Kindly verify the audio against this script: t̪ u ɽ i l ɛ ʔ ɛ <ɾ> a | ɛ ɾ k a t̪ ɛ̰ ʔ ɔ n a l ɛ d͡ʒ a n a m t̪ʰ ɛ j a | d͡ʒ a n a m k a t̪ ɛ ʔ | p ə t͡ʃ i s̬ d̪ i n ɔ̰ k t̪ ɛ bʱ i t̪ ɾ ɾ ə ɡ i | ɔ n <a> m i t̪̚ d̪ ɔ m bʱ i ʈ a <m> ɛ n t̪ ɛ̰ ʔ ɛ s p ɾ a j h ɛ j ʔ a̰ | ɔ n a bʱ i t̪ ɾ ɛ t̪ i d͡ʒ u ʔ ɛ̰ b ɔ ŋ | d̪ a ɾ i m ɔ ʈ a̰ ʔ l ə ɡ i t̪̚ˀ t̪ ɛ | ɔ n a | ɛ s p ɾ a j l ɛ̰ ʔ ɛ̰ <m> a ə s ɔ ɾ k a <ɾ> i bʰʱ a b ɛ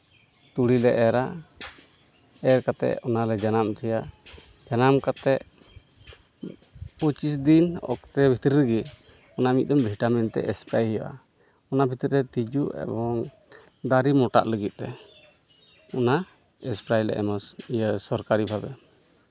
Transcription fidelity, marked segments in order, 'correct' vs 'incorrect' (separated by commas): correct, correct, correct, correct, correct